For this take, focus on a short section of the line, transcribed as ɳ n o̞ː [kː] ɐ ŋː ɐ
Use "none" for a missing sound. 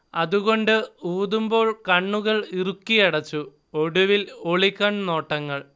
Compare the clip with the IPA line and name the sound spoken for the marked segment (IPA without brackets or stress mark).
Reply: ʈː